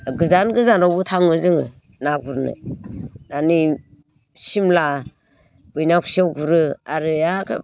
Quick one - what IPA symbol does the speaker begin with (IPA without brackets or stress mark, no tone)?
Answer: ɡ